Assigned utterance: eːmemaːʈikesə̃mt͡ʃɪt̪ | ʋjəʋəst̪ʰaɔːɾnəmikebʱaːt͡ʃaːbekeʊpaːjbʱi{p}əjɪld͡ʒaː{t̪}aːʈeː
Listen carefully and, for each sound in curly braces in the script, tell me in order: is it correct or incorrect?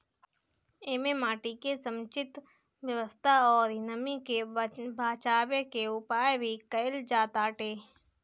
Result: incorrect: k, correct

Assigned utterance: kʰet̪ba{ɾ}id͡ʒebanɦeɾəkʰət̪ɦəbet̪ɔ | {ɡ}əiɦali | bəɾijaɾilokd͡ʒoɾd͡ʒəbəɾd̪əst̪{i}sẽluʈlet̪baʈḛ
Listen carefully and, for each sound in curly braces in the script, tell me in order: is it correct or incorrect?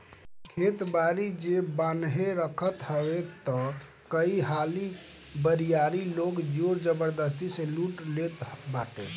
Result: correct, incorrect: k, correct

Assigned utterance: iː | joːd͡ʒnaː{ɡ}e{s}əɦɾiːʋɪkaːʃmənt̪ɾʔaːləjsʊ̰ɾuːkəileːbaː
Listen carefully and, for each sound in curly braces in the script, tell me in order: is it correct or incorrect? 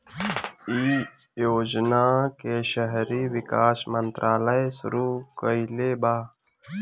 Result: incorrect: k, incorrect: ʃ

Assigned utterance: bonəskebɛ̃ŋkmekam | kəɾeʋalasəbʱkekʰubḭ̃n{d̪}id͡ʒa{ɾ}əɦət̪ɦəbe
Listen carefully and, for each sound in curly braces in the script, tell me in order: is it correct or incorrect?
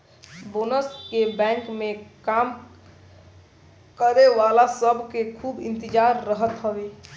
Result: incorrect: t̪, incorrect: ɾː

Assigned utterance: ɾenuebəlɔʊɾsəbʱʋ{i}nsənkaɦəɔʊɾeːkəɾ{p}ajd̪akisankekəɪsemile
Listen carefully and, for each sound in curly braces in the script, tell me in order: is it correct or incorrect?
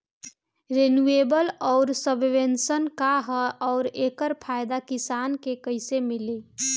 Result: incorrect: e, incorrect: pʰ

